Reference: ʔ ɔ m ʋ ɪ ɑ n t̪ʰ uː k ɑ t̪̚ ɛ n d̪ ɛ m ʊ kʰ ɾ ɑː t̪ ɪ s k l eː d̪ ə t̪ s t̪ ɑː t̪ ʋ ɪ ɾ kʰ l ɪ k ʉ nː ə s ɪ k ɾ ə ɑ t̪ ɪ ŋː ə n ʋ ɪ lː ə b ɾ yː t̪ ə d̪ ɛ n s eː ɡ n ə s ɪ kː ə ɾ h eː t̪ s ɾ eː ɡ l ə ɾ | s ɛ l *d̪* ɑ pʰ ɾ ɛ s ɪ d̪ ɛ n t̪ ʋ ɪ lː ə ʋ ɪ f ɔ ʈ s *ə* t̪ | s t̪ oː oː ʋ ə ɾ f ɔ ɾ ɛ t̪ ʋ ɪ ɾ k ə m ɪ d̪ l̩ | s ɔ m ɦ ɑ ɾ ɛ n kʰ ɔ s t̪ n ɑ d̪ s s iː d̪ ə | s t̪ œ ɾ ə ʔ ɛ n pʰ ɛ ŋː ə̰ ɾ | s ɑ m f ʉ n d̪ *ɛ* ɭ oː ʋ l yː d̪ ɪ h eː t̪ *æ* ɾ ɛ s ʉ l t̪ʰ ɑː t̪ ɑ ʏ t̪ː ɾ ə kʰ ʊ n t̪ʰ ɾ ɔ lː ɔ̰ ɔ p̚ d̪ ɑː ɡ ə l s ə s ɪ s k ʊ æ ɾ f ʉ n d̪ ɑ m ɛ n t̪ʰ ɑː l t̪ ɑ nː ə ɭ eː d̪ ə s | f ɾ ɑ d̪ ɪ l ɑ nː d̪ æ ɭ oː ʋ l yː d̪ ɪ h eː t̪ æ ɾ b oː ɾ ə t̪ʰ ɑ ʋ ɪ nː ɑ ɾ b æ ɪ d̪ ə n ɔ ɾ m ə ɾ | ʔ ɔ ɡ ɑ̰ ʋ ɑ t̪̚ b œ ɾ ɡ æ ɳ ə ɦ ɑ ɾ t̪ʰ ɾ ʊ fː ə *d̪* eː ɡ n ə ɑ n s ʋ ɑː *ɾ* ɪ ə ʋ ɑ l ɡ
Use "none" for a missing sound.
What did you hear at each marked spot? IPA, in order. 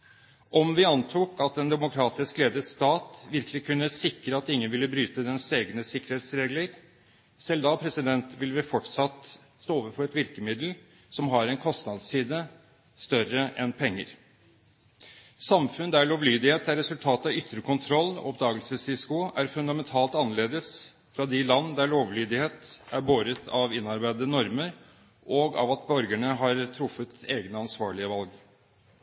d̪, ɑ, æ, æ, t̪, ɭ

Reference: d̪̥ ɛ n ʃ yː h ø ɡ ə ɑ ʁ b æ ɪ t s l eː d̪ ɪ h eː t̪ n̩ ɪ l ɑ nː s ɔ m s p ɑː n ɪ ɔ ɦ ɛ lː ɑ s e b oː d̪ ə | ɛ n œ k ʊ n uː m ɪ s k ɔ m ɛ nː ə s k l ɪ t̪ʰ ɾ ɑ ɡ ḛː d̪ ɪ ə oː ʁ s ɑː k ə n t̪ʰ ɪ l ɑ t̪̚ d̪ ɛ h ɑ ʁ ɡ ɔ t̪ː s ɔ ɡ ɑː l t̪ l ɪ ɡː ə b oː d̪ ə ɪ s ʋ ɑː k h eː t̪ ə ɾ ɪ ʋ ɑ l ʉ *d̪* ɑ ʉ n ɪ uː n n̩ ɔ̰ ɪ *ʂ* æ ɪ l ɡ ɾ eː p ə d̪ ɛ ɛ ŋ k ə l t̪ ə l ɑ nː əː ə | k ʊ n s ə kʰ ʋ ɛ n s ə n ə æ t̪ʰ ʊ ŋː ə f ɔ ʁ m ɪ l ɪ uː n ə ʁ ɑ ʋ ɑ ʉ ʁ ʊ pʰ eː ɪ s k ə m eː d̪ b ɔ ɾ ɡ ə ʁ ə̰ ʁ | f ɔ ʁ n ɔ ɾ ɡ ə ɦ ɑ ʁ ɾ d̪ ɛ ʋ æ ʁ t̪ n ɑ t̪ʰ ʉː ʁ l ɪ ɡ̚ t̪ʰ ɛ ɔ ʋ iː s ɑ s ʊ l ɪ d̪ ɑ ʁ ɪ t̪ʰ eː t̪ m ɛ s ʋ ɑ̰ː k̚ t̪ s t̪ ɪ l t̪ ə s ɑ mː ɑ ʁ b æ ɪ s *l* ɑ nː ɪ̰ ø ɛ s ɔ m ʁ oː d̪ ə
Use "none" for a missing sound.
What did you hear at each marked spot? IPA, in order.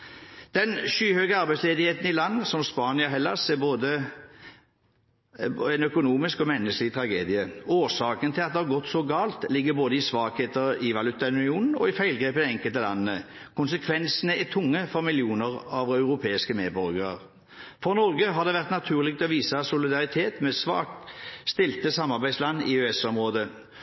t̪, f, l

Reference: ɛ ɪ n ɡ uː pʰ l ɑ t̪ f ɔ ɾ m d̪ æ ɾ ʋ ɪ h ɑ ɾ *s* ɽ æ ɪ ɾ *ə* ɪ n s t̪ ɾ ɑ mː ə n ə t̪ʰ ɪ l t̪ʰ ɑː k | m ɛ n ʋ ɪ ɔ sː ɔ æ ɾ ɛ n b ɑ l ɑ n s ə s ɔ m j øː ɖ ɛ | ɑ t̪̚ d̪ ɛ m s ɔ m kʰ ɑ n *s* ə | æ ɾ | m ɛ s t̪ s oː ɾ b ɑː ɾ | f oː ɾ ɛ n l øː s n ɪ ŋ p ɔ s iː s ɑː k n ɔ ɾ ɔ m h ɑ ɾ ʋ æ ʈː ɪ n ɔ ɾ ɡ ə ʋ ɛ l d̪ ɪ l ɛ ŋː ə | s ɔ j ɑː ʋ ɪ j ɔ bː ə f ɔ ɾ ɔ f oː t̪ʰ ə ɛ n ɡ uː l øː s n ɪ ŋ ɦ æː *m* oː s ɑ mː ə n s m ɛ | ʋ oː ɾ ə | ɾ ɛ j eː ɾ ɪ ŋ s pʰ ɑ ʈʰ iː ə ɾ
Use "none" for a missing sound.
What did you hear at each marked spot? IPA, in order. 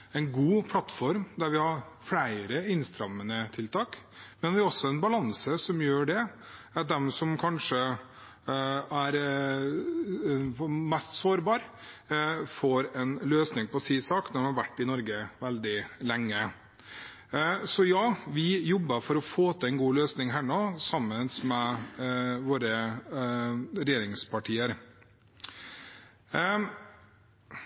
f, ə, ʂ, ɳ

